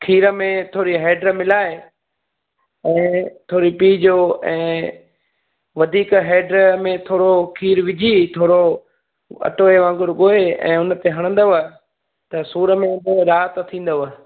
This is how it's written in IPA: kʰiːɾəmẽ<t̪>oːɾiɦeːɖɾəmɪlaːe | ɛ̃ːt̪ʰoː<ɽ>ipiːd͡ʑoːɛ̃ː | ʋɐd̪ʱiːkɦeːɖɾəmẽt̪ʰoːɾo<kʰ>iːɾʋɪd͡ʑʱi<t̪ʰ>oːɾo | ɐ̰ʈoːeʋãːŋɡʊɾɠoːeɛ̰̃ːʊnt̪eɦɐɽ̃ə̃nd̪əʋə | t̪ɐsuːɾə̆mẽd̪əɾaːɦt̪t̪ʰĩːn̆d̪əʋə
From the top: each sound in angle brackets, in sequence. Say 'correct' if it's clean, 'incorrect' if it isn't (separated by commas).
incorrect, incorrect, correct, correct